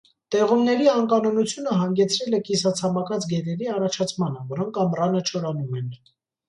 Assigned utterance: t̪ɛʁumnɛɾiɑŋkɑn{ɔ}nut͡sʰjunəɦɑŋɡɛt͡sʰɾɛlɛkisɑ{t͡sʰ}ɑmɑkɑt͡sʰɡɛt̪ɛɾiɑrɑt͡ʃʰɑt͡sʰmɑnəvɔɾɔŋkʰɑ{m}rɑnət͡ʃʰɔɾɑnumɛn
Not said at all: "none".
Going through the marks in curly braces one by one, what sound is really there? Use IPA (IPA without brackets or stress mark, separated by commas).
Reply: ɔ, t͡sʰ, m